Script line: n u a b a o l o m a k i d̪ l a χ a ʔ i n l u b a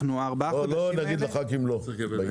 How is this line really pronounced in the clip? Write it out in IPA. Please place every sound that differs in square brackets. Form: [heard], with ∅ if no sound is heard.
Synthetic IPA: n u a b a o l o [n] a [ɡ] i d̪ l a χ a [k] i [m] l [o] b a